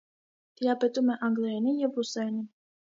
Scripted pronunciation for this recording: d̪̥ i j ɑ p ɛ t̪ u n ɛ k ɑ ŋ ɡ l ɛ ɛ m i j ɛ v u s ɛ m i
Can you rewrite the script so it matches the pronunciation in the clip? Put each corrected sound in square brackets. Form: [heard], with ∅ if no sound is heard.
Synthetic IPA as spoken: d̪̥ i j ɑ p ɛ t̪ u [m] ɛ [ʔ] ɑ ŋ ɡ l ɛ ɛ [n] i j ɛ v u s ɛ [n] i